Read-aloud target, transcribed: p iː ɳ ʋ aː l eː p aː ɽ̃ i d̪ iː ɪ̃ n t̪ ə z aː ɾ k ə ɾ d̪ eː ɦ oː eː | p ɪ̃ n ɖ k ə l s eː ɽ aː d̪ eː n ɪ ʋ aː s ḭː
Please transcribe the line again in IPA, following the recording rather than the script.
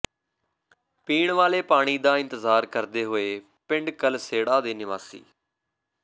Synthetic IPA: p iː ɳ ʋ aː l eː p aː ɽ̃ iː d̪ aː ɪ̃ n t̪ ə z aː ɾ k ə ɾ d̪ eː ɦ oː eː | p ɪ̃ ɳ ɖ k ə l s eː ɽ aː d̪ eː n ɪ ʋ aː s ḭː